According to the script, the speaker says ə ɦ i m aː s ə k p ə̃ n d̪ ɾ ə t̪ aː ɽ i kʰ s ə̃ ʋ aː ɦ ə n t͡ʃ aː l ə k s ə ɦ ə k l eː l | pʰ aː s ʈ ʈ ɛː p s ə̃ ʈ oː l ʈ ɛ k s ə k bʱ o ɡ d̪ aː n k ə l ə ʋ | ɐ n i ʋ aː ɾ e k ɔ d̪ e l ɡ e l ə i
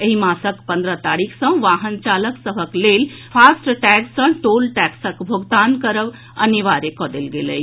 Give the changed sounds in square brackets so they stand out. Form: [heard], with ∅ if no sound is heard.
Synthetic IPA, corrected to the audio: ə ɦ i m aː s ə k p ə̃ n d̪ ɾ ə t̪ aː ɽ i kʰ s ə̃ ʋ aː ɦ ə n t͡ʃ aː l ə k s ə ɦ ə k l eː l | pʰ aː s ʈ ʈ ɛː [k] s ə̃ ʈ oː l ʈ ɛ k s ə k bʱ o ɡ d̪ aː n k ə [ɾ] ə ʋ | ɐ n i ʋ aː ɾ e k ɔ d̪ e l ɡ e l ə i